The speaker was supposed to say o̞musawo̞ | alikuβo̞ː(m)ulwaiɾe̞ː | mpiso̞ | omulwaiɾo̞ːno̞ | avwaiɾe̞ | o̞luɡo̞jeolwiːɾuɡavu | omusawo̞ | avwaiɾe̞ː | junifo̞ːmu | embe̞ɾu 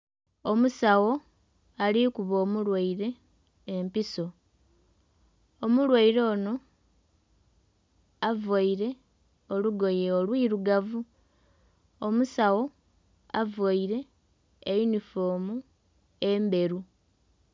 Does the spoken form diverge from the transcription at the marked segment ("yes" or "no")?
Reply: no